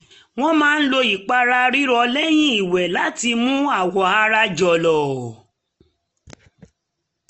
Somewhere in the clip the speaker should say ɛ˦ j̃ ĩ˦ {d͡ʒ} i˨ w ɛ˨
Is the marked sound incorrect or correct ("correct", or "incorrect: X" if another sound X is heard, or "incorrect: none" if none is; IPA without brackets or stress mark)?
incorrect: none